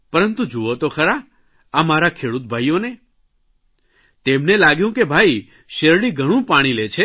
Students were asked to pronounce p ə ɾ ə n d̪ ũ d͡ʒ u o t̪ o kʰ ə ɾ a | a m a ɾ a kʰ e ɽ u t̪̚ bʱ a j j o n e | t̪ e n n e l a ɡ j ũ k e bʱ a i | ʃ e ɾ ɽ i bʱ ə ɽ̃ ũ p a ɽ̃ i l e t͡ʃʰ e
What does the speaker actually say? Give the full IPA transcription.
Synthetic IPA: p ə ɾ ə n t̪ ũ d͡ʒ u o t̪ o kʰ ə ɾ a | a m a ɾ a kʰ e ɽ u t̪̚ bʱ a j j o n e | t̪ e m n e l a ɡ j ũ k e bʱ a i | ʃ e ɾ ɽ i ɡʱ ə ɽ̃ ũ p a ɽ̃ i l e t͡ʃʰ e